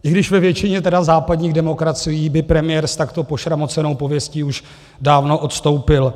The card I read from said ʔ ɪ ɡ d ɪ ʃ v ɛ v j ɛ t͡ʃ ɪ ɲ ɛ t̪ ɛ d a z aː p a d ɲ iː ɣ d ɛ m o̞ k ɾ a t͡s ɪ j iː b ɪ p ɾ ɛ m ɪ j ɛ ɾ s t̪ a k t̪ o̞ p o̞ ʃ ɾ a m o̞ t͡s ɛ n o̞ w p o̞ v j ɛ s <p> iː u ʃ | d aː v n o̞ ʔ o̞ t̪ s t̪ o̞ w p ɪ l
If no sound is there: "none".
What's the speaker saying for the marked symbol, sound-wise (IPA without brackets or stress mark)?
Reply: c